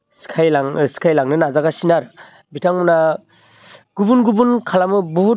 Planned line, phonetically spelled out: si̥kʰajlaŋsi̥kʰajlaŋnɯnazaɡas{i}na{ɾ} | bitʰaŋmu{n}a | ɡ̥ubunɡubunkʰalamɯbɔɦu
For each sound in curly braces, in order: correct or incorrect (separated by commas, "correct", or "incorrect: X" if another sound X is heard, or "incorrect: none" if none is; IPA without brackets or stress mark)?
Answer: correct, correct, correct